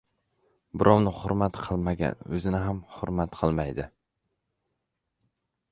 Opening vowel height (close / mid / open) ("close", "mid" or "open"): close